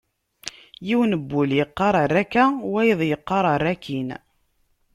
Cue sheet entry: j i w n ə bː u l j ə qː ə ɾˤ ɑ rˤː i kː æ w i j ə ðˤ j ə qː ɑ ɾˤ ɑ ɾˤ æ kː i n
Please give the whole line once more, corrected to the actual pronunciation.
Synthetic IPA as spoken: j i w n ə bː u l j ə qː ɑ ɾˤ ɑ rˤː æ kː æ w æ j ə ðˤ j ə qː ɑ ɾˤ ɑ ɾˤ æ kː i n